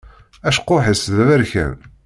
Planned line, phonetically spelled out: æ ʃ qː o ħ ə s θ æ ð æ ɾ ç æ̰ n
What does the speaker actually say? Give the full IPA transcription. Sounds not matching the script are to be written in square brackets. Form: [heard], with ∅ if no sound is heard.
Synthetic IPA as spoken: æ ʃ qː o ħ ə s [ð] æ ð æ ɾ ç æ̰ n